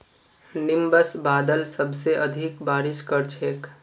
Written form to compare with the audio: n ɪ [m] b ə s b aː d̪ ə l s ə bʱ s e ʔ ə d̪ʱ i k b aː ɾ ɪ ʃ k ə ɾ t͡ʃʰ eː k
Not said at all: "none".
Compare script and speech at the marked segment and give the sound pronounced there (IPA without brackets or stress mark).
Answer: m